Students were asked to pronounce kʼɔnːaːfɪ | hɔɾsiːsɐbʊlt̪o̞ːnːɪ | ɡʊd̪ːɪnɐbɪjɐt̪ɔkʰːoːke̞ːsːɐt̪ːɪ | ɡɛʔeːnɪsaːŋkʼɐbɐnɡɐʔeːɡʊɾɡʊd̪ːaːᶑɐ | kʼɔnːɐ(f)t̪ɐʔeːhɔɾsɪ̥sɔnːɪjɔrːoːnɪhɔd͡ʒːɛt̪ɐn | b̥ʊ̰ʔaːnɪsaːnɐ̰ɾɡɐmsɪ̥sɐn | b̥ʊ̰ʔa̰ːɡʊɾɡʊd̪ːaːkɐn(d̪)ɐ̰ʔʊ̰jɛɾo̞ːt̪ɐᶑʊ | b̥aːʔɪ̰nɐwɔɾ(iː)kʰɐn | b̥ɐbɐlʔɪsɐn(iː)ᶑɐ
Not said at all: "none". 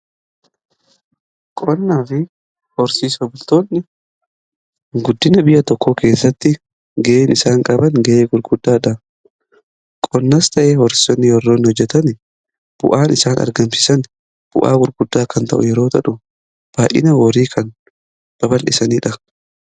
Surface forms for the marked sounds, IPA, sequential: s, t̪, iː, iː

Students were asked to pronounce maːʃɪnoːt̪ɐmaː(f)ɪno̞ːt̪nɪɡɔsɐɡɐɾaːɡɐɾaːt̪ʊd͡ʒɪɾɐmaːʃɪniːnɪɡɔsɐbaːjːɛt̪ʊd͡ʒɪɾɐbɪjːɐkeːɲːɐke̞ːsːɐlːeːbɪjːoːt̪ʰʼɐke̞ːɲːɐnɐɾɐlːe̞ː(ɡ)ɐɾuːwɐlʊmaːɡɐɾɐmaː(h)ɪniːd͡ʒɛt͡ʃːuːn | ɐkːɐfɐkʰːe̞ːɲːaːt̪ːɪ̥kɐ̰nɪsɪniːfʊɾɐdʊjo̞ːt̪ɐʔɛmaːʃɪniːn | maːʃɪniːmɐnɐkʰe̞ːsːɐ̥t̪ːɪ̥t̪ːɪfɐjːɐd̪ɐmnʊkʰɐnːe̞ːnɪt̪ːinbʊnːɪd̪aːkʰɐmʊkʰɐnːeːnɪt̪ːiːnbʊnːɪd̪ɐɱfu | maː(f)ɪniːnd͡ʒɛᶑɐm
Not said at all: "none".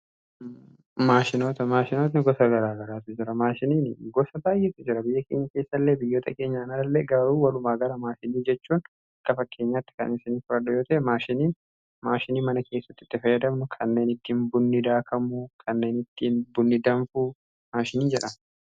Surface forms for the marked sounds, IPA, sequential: ʃ, ɡ, ʃ, ʃ

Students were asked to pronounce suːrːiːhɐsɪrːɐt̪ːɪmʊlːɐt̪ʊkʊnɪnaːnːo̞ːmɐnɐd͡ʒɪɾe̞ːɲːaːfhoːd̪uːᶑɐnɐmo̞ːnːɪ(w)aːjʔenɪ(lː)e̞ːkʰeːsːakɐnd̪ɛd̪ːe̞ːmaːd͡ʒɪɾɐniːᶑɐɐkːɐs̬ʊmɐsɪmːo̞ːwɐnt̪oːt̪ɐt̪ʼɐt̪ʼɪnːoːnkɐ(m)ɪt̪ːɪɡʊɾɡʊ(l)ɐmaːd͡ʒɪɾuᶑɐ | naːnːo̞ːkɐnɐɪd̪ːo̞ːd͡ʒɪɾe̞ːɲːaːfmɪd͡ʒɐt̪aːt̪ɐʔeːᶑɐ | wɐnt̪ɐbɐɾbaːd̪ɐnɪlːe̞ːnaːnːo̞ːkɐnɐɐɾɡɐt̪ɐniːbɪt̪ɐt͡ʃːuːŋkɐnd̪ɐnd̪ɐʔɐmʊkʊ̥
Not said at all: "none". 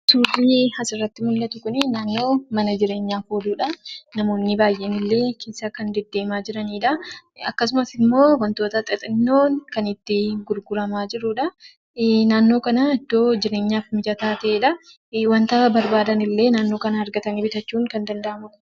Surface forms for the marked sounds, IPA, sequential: b, lː, n, ɾ

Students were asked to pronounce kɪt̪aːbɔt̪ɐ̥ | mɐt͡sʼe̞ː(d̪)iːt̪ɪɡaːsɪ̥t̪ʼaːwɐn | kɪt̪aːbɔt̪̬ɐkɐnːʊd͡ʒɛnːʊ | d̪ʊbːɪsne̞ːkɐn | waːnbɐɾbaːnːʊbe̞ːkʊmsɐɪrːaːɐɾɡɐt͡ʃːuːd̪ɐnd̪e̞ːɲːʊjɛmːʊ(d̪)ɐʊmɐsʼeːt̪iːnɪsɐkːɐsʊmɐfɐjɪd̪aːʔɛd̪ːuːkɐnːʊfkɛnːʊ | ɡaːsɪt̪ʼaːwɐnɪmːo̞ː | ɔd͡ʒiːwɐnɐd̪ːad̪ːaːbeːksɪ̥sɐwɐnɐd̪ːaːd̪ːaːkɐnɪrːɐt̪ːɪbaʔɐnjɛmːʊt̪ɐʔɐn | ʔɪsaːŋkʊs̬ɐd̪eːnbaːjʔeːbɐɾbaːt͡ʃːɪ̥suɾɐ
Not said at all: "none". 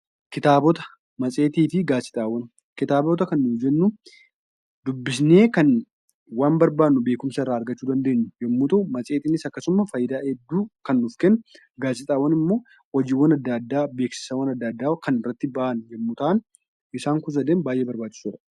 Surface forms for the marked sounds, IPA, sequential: t̪, t̪

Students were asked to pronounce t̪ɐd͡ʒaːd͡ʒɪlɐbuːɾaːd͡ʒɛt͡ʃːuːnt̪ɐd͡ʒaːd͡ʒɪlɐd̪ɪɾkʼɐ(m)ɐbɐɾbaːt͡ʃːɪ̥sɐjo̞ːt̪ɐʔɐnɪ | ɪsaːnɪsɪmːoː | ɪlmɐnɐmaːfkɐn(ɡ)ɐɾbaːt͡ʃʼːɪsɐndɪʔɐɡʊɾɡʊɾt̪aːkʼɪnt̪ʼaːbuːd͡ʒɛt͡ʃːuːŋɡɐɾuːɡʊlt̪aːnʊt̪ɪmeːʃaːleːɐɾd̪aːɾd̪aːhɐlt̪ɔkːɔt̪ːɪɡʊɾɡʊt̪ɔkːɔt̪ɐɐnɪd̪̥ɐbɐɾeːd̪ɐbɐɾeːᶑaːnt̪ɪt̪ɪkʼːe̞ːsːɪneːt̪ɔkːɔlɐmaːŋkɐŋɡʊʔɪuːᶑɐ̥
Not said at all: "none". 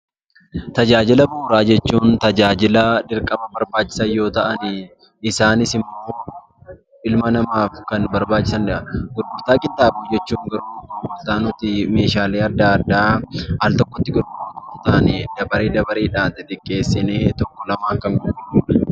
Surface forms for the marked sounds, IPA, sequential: m, b

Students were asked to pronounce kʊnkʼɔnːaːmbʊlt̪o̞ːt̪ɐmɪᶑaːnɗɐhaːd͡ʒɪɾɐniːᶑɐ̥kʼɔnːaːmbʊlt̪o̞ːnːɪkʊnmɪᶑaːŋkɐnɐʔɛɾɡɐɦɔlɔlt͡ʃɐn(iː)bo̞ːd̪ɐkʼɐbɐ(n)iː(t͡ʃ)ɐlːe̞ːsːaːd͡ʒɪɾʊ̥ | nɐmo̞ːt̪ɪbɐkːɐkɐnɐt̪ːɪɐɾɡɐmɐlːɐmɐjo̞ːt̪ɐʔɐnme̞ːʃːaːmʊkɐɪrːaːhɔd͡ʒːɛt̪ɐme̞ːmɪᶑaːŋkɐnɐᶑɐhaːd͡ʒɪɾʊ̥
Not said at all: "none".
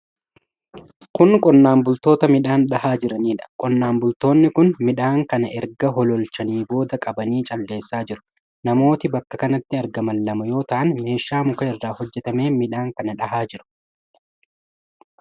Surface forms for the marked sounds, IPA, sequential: iː, n, t͡ʃʼ

